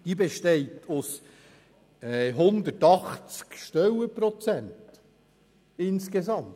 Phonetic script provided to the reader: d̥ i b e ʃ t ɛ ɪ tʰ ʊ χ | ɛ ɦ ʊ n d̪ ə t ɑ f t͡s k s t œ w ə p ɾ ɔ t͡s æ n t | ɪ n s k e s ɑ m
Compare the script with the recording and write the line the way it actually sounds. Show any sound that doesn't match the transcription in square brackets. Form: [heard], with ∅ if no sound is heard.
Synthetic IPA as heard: d̥ i b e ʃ t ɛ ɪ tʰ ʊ [s] | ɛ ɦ ʊ n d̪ ə t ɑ [χ] t͡s k [ʃ] t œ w ə p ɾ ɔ t͡s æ n t | ɪ n s k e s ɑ m

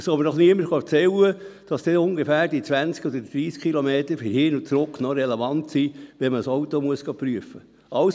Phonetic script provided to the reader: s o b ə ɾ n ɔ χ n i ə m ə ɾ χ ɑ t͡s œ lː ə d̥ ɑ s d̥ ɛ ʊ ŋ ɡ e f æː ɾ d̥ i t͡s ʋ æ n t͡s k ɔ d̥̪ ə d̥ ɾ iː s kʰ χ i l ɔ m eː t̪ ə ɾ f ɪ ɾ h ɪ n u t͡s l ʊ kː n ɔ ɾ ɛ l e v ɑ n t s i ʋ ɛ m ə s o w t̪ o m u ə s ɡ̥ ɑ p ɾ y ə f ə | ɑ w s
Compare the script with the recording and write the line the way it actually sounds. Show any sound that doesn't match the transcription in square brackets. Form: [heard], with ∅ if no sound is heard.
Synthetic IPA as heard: s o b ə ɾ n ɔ χ n i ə m ə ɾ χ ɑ t͡s [ɛ] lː ə d̥ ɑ s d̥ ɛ ʊ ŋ ɡ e f æː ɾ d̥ i t͡s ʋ æ n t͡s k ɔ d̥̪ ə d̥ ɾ iː s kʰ χ i l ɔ m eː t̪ ə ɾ f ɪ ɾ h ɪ n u t͡s [ɾ] ʊ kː n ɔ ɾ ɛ l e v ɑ n t s i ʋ ɛ m ə s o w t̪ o m u ə s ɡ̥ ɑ p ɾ y ə f ə | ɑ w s

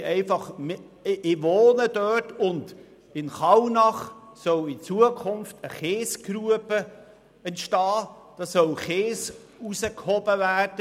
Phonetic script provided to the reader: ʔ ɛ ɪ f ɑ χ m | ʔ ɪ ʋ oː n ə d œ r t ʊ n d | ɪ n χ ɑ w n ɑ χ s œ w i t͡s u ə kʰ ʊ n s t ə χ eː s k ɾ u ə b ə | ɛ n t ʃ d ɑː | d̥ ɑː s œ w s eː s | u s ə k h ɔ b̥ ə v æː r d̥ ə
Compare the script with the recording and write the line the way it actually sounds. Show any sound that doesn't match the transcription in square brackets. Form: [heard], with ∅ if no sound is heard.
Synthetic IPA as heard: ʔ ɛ ɪ f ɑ χ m | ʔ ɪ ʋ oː n ə d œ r t ʊ n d | ɪ n χ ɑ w n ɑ χ s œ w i t͡s u ə kʰ ʊ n [f] t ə χ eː s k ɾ u ə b ə | ɛ n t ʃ [t] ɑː | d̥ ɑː s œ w [χ] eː s | u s ə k h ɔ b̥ ə v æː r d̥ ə

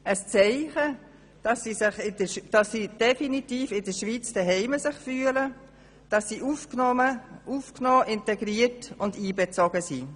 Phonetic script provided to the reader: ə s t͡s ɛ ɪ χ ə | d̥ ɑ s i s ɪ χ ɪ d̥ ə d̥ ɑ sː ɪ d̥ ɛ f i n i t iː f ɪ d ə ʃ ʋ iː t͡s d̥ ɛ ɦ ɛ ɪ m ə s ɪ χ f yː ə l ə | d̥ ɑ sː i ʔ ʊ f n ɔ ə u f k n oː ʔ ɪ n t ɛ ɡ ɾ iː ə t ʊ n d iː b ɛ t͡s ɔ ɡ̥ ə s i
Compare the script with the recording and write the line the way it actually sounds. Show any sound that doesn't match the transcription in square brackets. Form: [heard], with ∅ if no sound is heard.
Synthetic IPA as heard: ə s t͡s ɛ ɪ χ ə | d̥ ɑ s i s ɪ χ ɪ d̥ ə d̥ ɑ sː [i] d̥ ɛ f i n i t iː f ɪ d ə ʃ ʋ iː t͡s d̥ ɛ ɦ ɛ ɪ m ə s ɪ χ f yː ə l ə | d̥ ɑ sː i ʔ [u] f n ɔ ə u f k n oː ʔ ɪ n t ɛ ɡ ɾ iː ə t ʊ n d iː b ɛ t͡s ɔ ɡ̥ ə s i

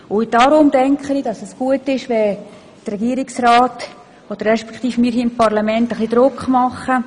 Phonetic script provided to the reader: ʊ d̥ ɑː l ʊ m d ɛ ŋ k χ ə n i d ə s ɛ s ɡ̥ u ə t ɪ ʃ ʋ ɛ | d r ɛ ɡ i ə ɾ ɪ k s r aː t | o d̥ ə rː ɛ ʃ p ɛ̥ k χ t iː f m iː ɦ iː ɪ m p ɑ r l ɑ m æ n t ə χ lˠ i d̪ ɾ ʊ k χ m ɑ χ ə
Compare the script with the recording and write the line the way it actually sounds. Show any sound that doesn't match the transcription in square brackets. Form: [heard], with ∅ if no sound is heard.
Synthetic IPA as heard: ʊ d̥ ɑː [ɾ] ʊ m d ɛ ŋ k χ ə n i d [ɑ] s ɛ s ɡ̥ u ə t ɪ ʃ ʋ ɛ | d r ɛ ɡ i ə ɾ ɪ k s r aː t | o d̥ ə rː ɛ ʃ p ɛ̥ k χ t iː f m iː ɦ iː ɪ m p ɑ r l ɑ m [ɛ] n t ə χ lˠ i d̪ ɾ ʊ k χ m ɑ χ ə

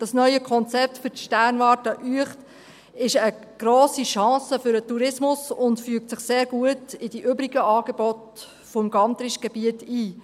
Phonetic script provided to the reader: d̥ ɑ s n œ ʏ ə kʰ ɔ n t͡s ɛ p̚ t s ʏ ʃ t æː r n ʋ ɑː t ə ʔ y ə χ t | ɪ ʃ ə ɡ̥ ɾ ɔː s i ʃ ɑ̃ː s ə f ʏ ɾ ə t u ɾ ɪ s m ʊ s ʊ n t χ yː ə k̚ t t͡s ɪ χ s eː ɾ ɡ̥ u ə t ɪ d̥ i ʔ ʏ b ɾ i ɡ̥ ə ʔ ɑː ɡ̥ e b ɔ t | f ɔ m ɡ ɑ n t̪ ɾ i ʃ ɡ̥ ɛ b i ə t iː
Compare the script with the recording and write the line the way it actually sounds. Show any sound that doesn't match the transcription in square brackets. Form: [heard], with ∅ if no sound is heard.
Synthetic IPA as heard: d̥ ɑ s n œ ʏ ə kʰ ɔ n t͡s ɛ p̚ t [f] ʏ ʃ t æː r n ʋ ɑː t ə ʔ y ə χ t | ɪ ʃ ə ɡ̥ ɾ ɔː s i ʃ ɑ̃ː s ə f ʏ ɾ ə t u ɾ ɪ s m ʊ s ʊ n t [f] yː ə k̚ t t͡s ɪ χ s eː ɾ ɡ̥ u ə t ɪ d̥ i ʔ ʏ b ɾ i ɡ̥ ə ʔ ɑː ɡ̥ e b ɔ t | f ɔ m ɡ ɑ n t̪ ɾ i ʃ ɡ̥ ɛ b i ə t iː

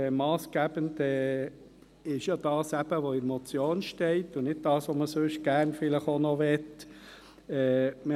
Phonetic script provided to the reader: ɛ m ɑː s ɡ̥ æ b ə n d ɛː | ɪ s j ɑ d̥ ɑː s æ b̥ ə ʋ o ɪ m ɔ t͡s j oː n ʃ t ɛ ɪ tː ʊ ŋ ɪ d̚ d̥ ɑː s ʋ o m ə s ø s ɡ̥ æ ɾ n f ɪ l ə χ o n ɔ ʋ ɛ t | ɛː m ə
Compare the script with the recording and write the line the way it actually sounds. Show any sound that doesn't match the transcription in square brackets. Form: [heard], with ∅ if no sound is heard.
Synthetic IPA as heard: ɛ m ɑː s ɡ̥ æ b ə n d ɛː | ɪ [ʃ] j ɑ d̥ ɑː s æ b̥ ə ʋ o ɪ m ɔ t͡s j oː n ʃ t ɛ ɪ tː ʊ [n] ɪ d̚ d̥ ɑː s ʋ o m ə s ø [ʃ] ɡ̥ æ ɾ n f ɪ l ə χ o n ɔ ʋ ɛ t | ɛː m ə

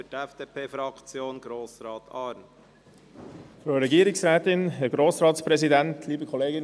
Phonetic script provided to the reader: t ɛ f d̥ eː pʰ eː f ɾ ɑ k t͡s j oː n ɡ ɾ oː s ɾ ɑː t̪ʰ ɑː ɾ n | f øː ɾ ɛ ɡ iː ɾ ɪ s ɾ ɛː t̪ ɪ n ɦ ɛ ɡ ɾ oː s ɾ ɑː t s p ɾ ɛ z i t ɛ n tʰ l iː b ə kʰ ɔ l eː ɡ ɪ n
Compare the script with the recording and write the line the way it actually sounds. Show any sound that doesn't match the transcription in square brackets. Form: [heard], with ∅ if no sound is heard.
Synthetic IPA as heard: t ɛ f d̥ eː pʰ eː f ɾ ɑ k t͡s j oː n ɡ ɾ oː s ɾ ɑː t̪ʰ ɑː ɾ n | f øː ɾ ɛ ɡ iː ɾ ɪ s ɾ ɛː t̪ ɪ n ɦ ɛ ɡ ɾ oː s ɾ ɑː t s p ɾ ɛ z i [d] ɛ n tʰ l iː b ə kʰ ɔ l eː ɡ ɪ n

